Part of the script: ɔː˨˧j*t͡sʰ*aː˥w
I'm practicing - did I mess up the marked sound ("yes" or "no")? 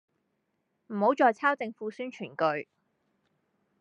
no